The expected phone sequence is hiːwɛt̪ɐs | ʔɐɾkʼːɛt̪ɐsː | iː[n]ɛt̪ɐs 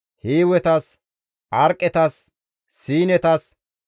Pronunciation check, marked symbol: correct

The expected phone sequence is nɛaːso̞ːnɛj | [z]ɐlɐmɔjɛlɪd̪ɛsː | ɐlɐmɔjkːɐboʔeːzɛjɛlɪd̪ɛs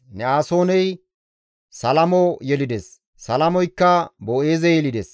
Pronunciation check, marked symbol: incorrect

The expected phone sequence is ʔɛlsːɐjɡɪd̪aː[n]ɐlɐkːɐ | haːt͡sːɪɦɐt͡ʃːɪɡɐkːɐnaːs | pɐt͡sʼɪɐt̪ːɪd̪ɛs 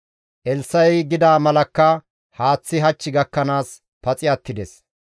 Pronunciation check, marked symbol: incorrect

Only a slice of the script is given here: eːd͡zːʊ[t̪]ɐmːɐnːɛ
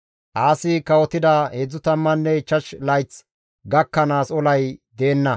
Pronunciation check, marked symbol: correct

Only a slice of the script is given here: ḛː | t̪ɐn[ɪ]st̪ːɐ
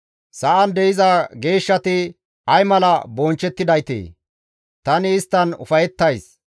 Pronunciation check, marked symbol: incorrect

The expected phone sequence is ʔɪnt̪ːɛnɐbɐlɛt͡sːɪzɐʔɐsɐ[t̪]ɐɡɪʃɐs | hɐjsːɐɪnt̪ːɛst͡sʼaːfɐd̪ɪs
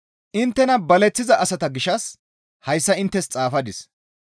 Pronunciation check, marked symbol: correct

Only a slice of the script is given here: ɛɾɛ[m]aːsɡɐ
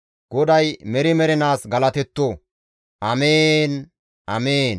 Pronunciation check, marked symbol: incorrect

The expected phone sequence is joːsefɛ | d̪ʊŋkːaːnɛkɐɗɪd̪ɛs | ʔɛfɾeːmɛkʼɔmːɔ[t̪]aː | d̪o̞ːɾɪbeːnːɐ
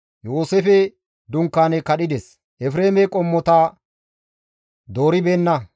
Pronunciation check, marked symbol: correct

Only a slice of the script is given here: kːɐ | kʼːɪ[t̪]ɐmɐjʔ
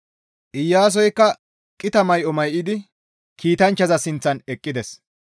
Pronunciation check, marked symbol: correct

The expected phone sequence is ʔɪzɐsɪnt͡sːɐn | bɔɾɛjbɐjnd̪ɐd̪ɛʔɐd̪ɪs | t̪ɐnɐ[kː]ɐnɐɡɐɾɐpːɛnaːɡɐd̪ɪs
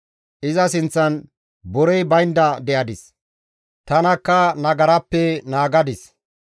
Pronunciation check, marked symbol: correct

